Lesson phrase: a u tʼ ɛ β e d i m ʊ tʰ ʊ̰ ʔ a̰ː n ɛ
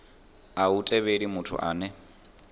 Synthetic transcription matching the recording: a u tʼ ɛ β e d i m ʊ tʰ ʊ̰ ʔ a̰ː n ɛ